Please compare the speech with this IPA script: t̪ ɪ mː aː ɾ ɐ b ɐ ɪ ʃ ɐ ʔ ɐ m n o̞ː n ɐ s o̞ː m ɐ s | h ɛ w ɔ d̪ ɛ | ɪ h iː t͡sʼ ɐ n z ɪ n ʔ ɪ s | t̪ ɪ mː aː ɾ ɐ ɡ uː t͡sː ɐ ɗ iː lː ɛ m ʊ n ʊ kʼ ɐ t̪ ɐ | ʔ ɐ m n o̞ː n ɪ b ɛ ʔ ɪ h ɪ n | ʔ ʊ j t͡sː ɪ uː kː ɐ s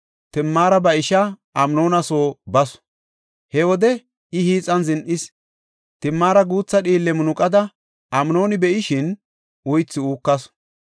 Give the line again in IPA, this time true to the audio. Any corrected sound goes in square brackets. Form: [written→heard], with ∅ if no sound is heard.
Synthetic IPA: t̪ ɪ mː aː ɾ ɐ b ɐ ɪ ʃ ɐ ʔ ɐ m n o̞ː n ɐ s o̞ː [m→b] ɐ s | h ɛ w ɔ d̪ ɛ | ɪ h iː t͡sʼ ɐ n z ɪ n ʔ ɪ s | t̪ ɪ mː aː ɾ ɐ ɡ uː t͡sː ɐ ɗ iː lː ɛ m ʊ n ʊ kʼ ɐ [t̪→d̪] ɐ | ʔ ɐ m n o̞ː n ɪ b ɛ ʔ ɪ [h→ʃ] ɪ n | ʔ ʊ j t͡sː ɪ uː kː ɐ s

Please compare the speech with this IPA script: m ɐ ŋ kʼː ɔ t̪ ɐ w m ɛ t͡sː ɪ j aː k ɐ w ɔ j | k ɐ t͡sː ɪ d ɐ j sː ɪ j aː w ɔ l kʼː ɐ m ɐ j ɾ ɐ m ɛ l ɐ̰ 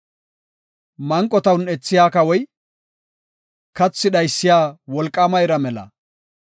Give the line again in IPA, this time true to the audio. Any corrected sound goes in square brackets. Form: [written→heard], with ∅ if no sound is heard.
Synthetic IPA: m ɐ ŋ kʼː ɔ t̪ ɐ w [m→n] ɛ t͡sː ɪ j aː k ɐ w ɔ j | k ɐ t͡sː ɪ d ɐ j sː ɪ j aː w ɔ l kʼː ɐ m ɐ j ɾ ɐ m ɛ l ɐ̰

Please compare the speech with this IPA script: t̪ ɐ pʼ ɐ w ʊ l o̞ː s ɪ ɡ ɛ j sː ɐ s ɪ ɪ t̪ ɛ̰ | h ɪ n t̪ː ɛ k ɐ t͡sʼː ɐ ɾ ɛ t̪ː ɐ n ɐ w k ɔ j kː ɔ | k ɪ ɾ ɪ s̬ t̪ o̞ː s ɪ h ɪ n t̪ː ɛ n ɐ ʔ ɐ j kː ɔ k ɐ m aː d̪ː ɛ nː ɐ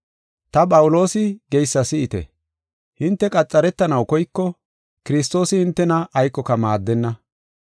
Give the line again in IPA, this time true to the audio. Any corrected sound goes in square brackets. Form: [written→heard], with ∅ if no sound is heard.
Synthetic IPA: t̪ ɐ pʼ ɐ w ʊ l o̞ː s ɪ ɡ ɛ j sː ɐ s ɪ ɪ t̪ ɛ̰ | h ɪ n t̪ː ɛ [k→kʼ] ɐ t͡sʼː ɐ ɾ ɛ t̪ː ɐ n ɐ w k ɔ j kː ɔ | k ɪ ɾ ɪ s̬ t̪ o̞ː s ɪ h ɪ n t̪ː ɛ n ɐ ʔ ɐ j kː ɔ k ɐ m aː d̪ː ɛ nː ɐ

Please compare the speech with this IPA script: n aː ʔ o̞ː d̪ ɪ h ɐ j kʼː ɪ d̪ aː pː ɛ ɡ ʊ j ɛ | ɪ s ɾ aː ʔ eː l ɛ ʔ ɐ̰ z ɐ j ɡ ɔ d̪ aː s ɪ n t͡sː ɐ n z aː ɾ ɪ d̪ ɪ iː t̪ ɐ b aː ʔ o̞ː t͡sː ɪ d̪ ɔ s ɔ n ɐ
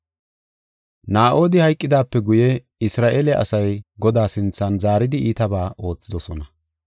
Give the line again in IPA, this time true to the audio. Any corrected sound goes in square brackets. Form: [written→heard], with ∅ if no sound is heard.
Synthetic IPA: n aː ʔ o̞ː d̪ ɪ h ɐ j kʼː ɪ d̪ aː pː ɛ ɡ ʊ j ɛ | ɪ s ɾ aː ʔ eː l ɛ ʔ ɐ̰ [z→s] ɐ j ɡ ɔ d̪ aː s ɪ n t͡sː ɐ n z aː ɾ ɪ d̪ ɪ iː t̪ ɐ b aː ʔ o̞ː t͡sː ɪ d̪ ɔ s ɔ n ɐ

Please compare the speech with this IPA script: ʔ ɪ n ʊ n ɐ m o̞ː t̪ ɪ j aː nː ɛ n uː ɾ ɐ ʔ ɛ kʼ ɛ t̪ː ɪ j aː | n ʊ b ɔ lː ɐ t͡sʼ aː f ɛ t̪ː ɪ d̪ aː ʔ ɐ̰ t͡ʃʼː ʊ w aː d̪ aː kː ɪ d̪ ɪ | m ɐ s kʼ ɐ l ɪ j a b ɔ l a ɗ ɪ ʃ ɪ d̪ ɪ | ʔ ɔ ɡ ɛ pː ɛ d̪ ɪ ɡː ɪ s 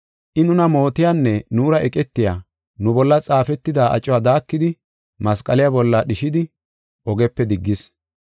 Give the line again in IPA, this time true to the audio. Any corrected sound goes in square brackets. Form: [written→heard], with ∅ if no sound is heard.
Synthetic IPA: ʔ ɪ n ʊ n ɐ m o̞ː t̪ ɪ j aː nː ɛ n uː ɾ ɐ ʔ ɛ kʼ ɛ t̪ː ɪ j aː | n ʊ b ɔ lː ɐ t͡sʼ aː f ɛ t̪ː ɪ d̪ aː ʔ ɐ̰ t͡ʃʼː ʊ w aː d̪ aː kː ɪ d̪ ɪ | m ɐ s kʼ ɐ l ɪ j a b ɔ [l→lː] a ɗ ɪ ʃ ɪ d̪ ɪ | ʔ ɔ ɡ ɛ pː ɛ d̪ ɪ ɡː ɪ s

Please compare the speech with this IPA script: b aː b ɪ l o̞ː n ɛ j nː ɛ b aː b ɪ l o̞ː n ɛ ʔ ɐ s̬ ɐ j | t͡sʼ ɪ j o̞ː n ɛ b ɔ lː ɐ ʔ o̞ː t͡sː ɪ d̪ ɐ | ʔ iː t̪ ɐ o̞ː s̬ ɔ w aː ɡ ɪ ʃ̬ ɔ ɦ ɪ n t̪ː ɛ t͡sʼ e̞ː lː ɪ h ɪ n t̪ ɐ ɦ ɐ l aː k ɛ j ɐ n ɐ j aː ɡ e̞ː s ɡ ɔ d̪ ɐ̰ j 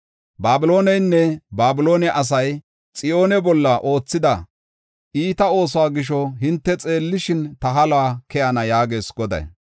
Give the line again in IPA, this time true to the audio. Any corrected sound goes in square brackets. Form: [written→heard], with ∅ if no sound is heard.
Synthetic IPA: b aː b ɪ l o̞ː n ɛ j nː ɛ b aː b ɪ l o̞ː n ɛ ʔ ɐ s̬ ɐ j | t͡sʼ ɪ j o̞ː n ɛ b ɔ lː ɐ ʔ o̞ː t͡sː ɪ d̪ ɐ | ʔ iː t̪ ɐ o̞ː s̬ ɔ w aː ɡ ɪ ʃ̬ ɔ ɦ ɪ n t̪ː ɛ t͡sʼ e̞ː lː ɪ [h→ʃ] ɪ n t̪ ɐ ɦ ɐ l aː k ɛ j ɐ n ɐ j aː ɡ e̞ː s ɡ ɔ d̪ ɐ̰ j

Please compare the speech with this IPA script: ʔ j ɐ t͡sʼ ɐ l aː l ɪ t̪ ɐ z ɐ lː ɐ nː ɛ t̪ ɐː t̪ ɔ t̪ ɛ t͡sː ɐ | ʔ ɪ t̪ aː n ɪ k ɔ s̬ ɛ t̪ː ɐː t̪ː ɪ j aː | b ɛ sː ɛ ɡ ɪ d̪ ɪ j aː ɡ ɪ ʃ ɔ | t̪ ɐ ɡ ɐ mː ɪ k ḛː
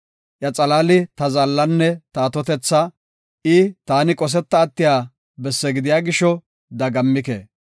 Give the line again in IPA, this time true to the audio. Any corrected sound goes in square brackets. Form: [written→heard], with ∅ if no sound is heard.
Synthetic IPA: ʔ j ɐ t͡sʼ ɐ l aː l ɪ t̪ ɐ z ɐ lː ɐ nː ɛ t̪ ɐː t̪ ɔ t̪ ɛ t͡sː ɐ | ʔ ɪ t̪ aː n ɪ [k→kʼ] ɔ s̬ ɛ t̪ː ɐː t̪ː ɪ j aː | b ɛ sː ɛ ɡ ɪ d̪ ɪ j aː ɡ ɪ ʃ ɔ | [t̪→d̪] ɐ ɡ ɐ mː ɪ k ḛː

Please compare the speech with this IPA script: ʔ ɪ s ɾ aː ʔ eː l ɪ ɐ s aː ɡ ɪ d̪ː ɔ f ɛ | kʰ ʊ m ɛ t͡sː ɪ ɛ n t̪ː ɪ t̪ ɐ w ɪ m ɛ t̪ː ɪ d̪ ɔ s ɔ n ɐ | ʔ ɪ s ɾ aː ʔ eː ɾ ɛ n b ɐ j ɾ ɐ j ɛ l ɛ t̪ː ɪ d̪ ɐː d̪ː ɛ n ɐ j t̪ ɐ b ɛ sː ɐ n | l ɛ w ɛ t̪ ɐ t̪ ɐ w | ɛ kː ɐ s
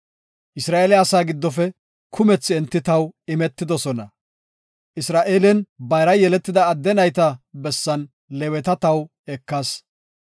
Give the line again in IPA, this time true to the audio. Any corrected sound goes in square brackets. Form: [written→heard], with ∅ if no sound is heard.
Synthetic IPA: ʔ ɪ s ɾ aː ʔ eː l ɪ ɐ s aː ɡ ɪ d̪ː ɔ f ɛ | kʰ ʊ m ɛ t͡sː ɪ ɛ n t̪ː ɪ t̪ ɐ w ɪ m ɛ t̪ː ɪ d̪ ɔ s ɔ n ɐ | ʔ ɪ s ɾ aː ʔ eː [ɾ→l] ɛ n b ɐ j ɾ ɐ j ɛ l ɛ t̪ː ɪ d̪ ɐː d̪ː ɛ n ɐ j t̪ ɐ b ɛ sː ɐ n | l ɛ w ɛ t̪ ɐ t̪ ɐ w | ɛ kː ɐ s

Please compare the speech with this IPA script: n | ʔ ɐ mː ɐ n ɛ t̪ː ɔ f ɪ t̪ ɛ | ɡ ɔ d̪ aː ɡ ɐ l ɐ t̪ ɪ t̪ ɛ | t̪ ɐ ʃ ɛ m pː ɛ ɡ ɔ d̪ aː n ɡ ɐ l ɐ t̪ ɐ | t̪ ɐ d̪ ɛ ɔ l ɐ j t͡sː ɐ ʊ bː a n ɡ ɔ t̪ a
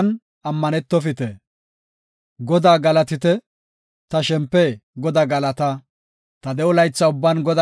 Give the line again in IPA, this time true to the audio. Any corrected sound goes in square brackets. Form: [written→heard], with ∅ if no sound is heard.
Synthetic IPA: n | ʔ ɐ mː ɐ n ɛ t̪ː ɔ f ɪ t̪ ɛ | ɡ ɔ d̪ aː ɡ ɐ l ɐ t̪ ɪ t̪ ɛ | t̪ ɐ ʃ ɛ m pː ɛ ɡ ɔ d̪ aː [n→∅] ɡ ɐ l ɐ t̪ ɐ | t̪ ɐ d̪ ɛ ɔ l ɐ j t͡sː ɐ ʊ bː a n ɡ ɔ [t̪→d̪] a

